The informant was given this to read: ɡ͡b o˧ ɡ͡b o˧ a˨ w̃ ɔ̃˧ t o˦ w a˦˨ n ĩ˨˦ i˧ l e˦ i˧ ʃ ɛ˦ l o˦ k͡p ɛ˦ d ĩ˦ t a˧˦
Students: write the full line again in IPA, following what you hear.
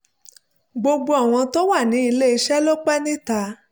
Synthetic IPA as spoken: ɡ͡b o˧ ɡ͡b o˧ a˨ w̃ ɔ̃˧ t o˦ w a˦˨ n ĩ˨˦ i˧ l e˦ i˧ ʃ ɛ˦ l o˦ k͡p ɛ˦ n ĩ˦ t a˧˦